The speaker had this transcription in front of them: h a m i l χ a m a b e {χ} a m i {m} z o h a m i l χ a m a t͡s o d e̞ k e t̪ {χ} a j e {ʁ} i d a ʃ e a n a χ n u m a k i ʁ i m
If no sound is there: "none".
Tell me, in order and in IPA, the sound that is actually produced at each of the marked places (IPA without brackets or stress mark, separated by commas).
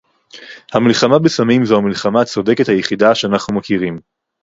s, m, h, χ